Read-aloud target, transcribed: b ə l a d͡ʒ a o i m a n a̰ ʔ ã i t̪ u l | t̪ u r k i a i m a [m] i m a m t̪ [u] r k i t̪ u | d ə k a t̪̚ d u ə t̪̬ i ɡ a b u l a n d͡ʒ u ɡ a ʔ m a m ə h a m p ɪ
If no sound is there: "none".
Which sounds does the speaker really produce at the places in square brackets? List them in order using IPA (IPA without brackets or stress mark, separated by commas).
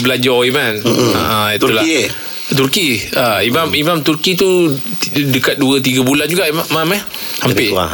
m, u